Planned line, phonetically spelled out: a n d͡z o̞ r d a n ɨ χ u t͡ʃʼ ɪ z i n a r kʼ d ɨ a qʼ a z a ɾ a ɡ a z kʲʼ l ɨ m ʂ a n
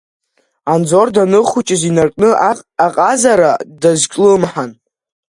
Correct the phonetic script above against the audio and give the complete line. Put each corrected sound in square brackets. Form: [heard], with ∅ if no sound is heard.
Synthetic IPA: a n d͡z o̞ r d a n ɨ χ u t͡ʃʼ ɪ z i n a r kʼ [n] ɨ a qʼ a z a ɾ a [d] a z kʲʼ l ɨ m [ħ] a n